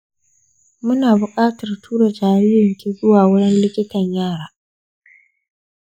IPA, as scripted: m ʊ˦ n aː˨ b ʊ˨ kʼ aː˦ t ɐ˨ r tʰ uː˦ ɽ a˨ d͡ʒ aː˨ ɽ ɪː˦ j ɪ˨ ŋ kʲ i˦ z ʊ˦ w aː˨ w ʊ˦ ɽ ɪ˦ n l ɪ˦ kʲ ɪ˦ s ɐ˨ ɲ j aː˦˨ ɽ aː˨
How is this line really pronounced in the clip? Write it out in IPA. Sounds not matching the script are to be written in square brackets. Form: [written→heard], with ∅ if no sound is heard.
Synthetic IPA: m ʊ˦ n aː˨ b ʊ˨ kʼ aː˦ t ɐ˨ r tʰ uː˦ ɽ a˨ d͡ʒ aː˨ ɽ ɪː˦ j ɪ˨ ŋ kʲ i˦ z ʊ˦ w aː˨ w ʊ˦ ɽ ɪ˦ n l ɪ˦ kʲ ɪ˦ [s→t] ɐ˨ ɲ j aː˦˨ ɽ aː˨